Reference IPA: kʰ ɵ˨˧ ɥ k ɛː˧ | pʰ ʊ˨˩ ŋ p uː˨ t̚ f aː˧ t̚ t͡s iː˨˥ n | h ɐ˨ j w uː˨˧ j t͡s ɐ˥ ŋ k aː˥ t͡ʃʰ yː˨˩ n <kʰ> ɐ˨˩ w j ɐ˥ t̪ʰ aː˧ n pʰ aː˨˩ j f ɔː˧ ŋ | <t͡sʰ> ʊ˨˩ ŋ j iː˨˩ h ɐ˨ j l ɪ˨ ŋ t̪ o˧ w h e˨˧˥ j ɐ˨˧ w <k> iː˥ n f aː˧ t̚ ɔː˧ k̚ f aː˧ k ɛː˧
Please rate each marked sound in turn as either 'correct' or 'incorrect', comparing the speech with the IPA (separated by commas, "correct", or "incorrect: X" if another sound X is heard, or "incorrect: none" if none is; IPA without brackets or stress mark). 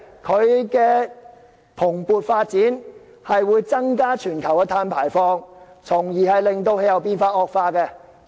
correct, correct, incorrect: p